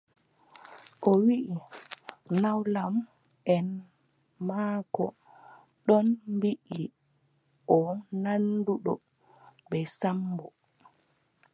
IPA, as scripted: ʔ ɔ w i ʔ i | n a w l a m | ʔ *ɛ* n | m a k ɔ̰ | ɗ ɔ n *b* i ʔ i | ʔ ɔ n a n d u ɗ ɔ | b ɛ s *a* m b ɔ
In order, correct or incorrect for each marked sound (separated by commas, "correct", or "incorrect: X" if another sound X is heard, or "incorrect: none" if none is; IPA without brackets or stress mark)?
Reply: correct, correct, correct